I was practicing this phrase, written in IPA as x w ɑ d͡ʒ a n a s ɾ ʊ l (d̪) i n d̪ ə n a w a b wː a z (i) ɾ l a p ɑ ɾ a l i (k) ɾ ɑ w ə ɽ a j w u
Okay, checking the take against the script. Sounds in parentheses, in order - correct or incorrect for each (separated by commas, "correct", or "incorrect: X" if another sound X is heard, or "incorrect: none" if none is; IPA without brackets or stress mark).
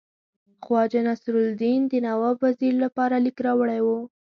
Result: correct, correct, correct